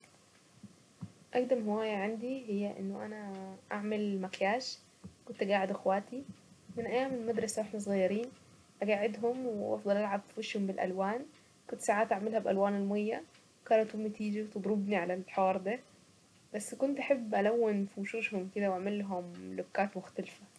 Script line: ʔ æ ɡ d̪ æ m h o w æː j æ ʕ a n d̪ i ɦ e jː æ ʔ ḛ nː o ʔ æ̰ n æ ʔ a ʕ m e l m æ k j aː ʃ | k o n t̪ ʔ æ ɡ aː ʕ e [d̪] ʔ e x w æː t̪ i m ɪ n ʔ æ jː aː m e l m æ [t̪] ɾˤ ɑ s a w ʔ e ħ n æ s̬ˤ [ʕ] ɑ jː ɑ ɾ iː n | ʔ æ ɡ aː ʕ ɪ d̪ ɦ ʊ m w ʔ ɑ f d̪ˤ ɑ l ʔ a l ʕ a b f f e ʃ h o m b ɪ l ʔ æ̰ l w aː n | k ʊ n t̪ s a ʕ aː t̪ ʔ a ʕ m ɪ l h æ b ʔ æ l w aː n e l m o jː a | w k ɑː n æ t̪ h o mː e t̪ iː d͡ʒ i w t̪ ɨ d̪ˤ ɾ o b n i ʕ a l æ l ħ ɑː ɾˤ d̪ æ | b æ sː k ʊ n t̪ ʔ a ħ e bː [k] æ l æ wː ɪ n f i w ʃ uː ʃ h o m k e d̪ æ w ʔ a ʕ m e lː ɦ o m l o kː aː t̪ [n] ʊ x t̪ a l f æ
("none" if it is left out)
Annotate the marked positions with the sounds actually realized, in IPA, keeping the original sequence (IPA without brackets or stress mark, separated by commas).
d̪, d̪, ɣ, ʔ, m